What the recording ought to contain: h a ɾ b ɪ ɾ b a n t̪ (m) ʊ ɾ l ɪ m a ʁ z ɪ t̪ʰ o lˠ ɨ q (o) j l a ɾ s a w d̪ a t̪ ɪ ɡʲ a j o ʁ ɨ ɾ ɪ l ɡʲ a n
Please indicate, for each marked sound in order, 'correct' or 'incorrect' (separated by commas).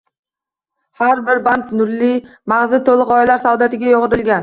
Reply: incorrect, incorrect